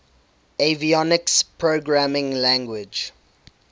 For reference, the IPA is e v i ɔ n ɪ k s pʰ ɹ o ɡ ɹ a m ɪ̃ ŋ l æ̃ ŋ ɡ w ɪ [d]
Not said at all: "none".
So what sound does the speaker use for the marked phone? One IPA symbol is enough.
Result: d͡ʒ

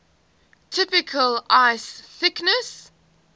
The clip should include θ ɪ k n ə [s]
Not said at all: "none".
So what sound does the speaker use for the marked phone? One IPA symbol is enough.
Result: s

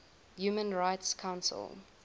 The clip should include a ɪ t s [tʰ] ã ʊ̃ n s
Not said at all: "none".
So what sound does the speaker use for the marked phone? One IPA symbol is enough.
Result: kʰ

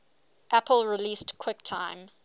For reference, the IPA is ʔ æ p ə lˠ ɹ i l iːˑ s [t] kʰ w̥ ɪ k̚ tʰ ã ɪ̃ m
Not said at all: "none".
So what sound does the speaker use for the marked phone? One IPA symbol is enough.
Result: t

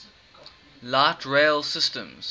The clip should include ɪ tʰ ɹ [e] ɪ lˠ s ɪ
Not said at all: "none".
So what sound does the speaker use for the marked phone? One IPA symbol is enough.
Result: e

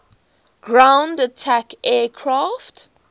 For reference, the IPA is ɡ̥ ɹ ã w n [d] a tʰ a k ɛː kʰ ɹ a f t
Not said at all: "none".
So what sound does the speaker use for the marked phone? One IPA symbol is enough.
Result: d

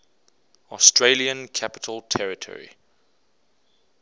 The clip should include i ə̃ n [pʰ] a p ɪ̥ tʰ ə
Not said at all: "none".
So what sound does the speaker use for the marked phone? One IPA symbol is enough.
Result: kʰ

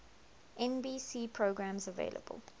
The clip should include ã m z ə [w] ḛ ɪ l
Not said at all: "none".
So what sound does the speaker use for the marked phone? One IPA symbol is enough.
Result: v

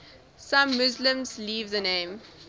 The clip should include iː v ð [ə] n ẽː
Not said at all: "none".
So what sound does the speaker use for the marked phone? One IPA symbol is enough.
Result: ə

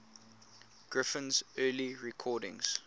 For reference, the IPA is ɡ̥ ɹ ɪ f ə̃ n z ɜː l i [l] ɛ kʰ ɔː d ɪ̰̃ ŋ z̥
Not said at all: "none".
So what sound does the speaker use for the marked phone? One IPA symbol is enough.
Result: ɹ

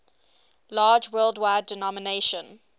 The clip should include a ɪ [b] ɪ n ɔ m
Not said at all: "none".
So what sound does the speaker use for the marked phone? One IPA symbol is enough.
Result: d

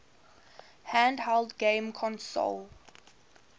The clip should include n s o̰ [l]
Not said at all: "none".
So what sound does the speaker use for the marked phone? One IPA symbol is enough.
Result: l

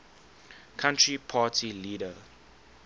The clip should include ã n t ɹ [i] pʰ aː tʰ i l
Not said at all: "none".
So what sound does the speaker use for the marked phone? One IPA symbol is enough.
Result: i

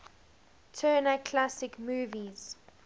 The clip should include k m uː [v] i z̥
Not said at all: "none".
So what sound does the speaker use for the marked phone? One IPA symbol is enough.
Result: v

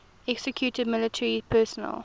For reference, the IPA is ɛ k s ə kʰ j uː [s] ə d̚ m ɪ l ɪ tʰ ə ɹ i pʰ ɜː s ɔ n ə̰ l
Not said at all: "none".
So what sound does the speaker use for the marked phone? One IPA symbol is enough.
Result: t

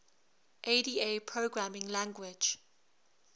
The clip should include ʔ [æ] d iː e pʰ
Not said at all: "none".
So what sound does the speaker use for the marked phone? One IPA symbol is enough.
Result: e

